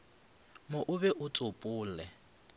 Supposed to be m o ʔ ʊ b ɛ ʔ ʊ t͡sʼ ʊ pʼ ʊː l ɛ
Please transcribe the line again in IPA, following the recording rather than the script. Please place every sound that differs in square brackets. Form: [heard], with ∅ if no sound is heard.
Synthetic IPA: m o ʔ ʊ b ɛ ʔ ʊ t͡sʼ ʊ pʼ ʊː l ɛ